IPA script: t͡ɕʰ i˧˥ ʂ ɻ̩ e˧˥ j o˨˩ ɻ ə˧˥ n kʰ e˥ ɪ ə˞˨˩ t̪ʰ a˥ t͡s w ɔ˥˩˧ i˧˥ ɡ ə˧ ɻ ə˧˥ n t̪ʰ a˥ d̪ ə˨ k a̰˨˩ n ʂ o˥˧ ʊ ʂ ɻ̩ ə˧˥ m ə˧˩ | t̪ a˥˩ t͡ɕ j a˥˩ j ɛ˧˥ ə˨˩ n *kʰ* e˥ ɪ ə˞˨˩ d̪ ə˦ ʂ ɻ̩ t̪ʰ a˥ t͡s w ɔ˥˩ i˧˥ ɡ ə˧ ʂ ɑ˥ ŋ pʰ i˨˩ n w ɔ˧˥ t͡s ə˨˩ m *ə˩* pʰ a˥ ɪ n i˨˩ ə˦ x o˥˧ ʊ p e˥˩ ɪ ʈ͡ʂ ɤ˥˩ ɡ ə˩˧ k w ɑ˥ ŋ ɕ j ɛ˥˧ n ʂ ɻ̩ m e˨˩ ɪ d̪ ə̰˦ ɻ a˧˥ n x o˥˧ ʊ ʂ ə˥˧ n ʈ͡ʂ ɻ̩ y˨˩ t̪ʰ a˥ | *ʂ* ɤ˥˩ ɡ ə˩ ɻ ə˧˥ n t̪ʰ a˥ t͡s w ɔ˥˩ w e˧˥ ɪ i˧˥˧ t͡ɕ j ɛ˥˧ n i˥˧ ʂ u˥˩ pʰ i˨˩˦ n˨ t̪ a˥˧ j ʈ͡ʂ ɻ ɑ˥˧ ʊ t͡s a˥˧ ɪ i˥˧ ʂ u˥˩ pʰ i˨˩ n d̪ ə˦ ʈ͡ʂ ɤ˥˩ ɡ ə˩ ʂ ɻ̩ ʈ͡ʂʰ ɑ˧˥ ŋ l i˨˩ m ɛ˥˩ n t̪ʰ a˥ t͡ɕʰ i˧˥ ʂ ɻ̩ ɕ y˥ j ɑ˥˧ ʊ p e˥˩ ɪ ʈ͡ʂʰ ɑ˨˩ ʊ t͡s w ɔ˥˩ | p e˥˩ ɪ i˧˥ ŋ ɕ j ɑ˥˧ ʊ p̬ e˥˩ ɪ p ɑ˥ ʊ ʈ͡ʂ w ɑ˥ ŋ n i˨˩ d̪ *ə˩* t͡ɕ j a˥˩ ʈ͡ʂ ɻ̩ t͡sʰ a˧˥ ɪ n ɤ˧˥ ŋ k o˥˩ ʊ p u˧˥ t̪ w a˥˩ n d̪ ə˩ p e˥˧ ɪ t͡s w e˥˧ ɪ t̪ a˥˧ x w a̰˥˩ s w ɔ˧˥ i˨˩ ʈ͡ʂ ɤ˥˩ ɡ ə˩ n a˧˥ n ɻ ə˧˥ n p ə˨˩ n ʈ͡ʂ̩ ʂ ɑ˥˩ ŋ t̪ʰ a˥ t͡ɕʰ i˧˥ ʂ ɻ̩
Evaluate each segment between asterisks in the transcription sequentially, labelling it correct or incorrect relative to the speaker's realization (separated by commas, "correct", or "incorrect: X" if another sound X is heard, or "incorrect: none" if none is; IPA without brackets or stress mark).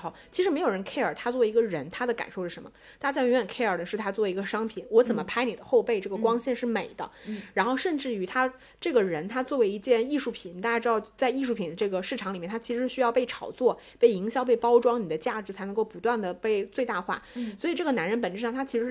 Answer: correct, incorrect: ə˦, incorrect: ʈ͡ʂ, incorrect: ə˦